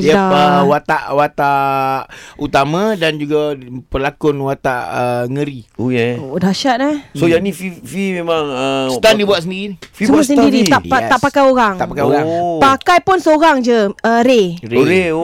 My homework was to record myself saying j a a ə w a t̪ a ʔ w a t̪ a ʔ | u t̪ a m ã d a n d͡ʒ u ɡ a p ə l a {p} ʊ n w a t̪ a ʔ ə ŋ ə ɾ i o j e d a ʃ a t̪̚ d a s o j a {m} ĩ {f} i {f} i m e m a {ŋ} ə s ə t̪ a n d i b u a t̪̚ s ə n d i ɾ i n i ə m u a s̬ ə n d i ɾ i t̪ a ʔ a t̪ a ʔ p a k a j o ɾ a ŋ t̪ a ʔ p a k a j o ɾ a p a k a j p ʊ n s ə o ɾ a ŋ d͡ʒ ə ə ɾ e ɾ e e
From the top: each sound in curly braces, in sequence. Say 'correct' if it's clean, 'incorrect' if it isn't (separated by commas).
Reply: incorrect, incorrect, correct, correct, correct